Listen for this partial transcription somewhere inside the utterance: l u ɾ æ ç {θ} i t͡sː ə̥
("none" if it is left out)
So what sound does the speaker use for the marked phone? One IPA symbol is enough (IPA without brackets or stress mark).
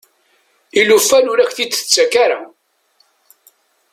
θ